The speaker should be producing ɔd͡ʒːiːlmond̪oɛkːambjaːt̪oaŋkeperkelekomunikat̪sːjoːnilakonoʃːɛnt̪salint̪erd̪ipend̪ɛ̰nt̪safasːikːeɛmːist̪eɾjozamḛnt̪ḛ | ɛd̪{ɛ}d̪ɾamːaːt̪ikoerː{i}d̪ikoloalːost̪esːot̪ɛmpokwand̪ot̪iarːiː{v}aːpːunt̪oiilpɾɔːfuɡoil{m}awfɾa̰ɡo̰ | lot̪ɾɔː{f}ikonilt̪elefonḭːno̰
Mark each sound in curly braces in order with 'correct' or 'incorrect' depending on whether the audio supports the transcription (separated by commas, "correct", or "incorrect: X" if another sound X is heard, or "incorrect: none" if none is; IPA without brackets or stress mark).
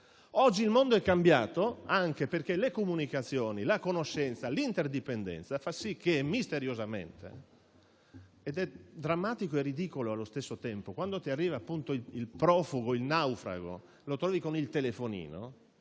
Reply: correct, correct, correct, incorrect: n, incorrect: v